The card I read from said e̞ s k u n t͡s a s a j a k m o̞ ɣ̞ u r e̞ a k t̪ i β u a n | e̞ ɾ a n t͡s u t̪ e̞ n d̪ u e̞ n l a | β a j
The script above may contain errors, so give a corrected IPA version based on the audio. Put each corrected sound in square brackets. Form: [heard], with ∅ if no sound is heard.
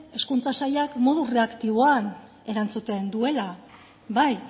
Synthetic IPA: e̞ s k u n t͡s a s a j a k m o̞ [ð̞] u r e̞ a k t̪ i β [o] a n | e̞ ɾ a n t͡s u t̪ e̞ n d̪ u e̞ [∅] l a | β a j